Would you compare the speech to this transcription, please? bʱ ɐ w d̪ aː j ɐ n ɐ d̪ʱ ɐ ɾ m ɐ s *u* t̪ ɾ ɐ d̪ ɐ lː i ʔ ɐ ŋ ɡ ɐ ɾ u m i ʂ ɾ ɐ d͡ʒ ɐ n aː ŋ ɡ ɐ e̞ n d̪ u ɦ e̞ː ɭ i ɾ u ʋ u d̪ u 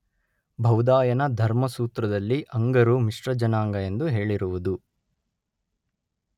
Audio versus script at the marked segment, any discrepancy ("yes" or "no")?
yes